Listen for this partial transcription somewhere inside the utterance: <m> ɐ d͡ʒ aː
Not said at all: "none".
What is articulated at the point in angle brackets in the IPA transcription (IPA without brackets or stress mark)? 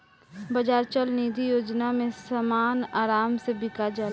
b